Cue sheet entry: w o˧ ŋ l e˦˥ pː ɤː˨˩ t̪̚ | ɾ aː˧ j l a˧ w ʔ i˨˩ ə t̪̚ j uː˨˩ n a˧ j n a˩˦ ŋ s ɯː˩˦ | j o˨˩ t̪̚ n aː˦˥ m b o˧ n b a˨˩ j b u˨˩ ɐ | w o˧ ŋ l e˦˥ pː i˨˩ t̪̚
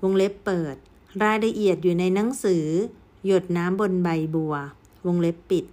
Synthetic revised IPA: w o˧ ŋ l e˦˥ pː ɤː˨˩ t̪̚ | ɾ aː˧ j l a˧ ʔ i˨˩ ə t̪̚ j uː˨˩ n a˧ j n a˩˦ ŋ s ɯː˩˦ | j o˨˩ t̪̚ n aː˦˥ m b o˧ n b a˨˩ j b u˨˩ ɐ | w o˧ ŋ l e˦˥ pː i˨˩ t̪̚